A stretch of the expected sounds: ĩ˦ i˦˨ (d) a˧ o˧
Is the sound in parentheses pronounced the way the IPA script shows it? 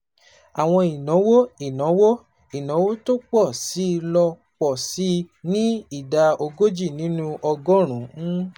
yes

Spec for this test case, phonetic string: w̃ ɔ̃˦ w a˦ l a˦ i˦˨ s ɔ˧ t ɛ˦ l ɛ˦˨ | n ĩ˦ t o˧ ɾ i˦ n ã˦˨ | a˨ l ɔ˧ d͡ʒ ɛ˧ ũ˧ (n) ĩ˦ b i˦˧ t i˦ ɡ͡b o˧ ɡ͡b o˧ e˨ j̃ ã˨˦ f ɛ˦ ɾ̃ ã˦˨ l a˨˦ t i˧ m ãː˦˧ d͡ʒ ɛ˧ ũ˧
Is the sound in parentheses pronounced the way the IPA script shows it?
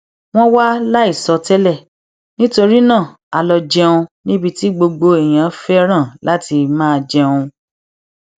yes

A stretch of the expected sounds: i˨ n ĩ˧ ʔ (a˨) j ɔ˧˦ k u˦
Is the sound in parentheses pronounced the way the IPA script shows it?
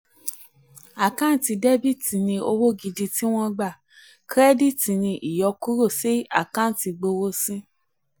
no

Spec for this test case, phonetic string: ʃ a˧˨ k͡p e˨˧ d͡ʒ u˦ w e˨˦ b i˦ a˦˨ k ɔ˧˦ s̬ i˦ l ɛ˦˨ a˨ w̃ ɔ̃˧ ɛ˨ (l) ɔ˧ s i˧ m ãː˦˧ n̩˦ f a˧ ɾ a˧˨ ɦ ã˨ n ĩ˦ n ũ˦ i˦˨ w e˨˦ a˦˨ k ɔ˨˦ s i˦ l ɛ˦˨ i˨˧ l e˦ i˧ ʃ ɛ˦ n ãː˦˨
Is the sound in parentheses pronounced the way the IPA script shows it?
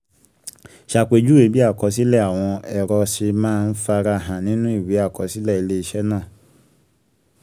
no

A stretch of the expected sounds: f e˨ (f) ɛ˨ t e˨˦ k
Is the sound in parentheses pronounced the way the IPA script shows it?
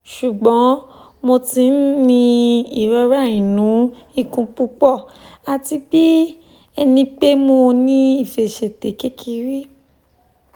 no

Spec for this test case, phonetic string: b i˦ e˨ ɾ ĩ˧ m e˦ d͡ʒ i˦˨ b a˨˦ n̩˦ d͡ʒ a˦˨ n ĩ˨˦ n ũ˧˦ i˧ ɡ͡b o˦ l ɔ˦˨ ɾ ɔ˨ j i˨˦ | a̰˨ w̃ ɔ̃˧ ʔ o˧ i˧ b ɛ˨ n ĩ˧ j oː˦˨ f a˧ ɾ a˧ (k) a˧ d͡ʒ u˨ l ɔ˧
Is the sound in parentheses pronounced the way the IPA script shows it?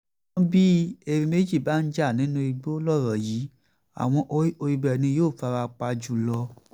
no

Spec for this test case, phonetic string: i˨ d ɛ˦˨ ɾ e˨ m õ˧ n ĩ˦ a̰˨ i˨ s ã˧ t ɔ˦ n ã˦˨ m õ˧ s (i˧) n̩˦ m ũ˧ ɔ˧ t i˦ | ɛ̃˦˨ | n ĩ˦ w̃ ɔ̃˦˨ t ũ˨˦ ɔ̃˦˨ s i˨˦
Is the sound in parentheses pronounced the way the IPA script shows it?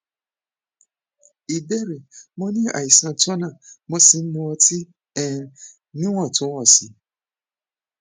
yes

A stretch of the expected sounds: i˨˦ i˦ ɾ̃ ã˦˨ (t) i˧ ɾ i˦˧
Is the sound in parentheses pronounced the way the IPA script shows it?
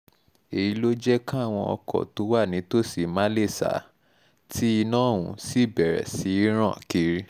no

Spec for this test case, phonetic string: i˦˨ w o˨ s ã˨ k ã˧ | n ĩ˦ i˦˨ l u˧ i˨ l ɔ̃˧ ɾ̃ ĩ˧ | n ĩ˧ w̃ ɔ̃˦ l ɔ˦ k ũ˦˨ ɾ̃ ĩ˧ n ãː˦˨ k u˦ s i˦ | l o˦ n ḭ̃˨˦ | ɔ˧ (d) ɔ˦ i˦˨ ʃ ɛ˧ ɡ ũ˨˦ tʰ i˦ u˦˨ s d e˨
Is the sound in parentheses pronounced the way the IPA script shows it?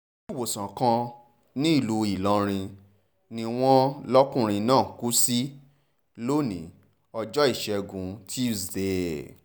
no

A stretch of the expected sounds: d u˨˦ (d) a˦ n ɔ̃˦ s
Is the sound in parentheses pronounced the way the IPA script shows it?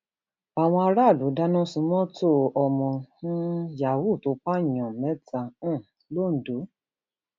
yes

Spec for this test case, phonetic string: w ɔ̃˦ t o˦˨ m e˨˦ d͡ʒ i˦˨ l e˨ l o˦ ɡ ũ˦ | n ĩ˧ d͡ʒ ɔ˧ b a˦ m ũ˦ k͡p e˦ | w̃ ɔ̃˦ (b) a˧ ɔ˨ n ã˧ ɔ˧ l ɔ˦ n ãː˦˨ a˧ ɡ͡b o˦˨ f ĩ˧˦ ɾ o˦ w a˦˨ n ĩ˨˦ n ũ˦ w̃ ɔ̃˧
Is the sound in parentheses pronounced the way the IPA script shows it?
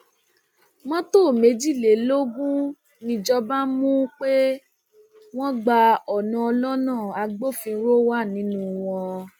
no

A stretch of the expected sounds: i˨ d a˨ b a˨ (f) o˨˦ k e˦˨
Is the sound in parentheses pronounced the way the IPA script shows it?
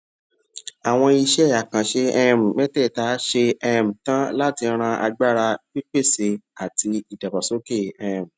no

